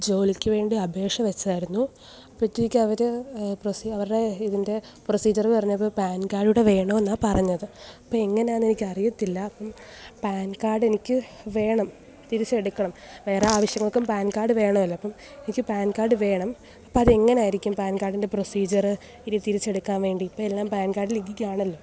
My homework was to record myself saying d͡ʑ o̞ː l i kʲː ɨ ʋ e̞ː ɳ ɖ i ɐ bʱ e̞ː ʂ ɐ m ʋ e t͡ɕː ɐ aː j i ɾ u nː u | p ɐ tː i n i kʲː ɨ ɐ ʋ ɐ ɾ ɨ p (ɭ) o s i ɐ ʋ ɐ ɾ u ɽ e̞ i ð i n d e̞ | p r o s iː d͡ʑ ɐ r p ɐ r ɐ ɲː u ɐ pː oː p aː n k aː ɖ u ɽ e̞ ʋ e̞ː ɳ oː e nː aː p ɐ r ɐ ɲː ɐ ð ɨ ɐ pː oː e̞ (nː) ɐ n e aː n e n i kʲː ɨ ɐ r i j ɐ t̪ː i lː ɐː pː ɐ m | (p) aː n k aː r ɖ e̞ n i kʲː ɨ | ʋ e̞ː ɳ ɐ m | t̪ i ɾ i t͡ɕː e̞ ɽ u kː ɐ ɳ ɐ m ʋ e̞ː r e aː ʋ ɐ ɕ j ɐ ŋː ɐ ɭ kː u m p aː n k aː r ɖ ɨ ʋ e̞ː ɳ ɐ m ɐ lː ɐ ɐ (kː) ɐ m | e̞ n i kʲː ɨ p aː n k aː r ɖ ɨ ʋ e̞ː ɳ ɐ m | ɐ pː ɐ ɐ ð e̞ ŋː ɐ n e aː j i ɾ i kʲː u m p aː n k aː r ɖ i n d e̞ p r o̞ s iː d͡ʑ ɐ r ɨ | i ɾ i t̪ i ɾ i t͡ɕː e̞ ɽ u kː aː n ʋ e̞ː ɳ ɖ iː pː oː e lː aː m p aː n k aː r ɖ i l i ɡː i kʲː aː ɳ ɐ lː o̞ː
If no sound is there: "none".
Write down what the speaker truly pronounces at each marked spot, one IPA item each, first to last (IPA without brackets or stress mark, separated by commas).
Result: r, ŋː, p, pː